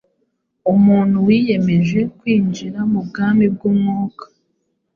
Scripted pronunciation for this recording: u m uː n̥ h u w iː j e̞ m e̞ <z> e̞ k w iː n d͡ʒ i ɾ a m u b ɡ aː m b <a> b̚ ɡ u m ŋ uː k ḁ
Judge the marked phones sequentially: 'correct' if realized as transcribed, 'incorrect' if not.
incorrect: ʒ, incorrect: i

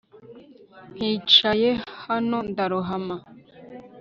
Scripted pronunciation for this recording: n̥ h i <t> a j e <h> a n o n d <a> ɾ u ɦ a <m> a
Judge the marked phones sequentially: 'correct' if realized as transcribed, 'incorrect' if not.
incorrect: t͡ʃ, correct, correct, correct

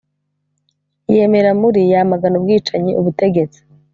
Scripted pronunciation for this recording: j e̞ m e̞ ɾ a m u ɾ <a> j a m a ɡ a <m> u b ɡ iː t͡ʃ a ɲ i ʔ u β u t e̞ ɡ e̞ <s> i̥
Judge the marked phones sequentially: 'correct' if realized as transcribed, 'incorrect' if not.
incorrect: i, incorrect: n, incorrect: t͡s

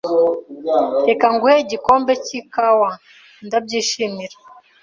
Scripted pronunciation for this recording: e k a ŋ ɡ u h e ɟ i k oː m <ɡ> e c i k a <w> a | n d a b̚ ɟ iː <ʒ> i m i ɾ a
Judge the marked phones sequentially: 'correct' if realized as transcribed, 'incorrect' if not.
incorrect: b, correct, incorrect: ʃ

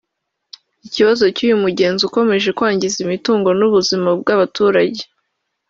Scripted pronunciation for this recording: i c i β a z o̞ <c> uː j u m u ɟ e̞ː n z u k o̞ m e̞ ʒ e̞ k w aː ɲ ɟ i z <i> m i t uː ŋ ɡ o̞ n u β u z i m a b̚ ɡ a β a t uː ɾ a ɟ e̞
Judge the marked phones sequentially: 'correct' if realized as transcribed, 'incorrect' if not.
correct, correct

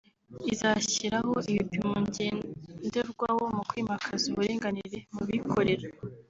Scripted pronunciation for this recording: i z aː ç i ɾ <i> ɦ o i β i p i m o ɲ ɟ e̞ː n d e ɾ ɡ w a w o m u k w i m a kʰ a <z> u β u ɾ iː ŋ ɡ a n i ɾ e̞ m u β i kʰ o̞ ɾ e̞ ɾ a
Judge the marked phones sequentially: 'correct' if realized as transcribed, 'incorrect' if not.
incorrect: a, correct

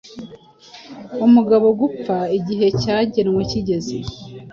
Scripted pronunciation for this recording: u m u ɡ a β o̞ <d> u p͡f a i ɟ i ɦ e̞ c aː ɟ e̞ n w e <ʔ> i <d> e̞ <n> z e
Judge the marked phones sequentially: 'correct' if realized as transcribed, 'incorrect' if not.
incorrect: ɡ, incorrect: c, incorrect: ɟ, incorrect: none

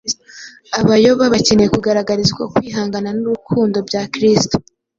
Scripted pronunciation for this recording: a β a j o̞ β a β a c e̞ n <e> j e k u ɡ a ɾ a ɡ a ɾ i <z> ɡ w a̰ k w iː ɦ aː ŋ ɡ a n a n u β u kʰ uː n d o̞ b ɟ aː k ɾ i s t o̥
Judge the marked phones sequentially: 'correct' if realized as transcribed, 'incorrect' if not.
correct, correct

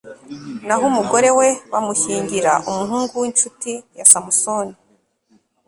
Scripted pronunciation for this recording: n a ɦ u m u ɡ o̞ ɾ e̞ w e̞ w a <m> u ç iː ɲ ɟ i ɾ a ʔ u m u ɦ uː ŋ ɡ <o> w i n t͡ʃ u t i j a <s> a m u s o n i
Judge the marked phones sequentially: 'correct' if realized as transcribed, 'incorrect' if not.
correct, incorrect: u, correct

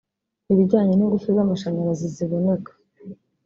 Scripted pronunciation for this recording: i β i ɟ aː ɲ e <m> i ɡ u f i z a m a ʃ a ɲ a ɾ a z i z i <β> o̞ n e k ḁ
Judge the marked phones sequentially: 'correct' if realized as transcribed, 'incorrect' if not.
incorrect: n, correct

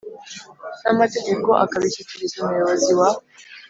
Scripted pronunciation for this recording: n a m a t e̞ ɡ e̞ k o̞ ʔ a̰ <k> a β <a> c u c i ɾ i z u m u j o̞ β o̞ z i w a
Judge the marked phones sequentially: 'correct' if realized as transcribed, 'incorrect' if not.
correct, incorrect: i

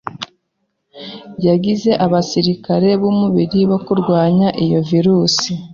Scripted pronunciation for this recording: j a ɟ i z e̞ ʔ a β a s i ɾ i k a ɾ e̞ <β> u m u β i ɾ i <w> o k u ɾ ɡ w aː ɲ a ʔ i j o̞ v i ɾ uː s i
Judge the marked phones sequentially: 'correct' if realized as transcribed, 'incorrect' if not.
correct, incorrect: β

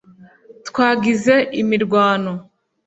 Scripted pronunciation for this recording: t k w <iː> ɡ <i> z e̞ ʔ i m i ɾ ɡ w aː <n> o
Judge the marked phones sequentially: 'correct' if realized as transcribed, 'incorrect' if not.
incorrect: aː, correct, correct

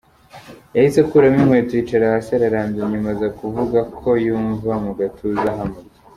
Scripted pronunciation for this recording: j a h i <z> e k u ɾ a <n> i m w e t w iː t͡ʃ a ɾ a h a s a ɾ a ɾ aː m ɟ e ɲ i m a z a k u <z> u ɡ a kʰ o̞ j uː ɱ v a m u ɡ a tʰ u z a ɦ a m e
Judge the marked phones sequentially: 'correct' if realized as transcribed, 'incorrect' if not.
incorrect: s, incorrect: m, incorrect: v

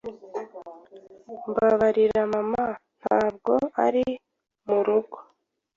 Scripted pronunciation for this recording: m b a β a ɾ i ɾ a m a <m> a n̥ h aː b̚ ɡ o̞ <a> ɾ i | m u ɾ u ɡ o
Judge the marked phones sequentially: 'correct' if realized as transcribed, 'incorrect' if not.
correct, correct

